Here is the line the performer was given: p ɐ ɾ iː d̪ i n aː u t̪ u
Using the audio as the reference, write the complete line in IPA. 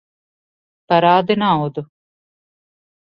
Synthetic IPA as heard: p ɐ ɾ aː d̪ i n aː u d̪ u